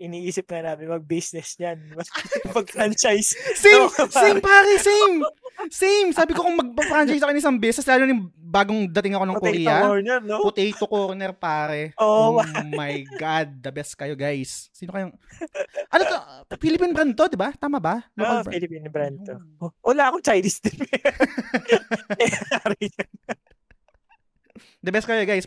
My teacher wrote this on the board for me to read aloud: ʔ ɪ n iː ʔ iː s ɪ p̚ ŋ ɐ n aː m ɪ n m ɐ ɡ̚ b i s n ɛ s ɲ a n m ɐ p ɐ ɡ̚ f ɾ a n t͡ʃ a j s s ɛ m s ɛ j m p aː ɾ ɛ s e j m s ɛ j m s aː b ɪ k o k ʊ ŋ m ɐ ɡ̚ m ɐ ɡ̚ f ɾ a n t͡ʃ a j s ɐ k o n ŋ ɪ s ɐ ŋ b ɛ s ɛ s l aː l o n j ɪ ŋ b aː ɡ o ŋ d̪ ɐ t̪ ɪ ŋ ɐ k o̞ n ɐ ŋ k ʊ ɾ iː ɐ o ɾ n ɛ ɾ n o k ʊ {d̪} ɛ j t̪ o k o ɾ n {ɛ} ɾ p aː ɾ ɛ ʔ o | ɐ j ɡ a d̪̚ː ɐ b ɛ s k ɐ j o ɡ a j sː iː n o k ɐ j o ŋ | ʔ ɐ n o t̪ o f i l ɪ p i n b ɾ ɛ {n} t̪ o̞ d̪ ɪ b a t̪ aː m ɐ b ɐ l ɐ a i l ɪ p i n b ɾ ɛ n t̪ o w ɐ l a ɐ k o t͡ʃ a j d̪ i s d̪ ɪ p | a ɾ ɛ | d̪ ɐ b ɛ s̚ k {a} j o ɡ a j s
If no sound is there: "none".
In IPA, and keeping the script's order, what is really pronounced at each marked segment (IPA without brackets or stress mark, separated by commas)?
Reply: t̪, ɛ, n, ɐ